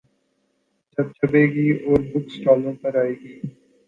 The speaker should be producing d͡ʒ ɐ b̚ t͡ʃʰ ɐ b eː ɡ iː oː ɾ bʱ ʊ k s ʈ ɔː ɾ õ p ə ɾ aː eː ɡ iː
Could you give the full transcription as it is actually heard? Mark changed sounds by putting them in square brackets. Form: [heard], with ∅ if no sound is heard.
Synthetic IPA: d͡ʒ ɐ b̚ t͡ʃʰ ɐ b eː ɡ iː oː ɾ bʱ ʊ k s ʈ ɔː [l] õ p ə ɾ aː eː ɡ iː